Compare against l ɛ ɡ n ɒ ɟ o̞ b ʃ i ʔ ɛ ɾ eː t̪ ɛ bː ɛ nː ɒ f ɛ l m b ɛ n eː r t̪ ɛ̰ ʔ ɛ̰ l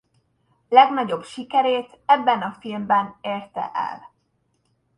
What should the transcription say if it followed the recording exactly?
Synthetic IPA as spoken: l ɛ ɡ n ɒ ɟ o̞ b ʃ i k ɛ ɾ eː t̪ ɛ bː ɛ n ɒ f i l m b ɛ n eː r t̪ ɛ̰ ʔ ɛ̰ l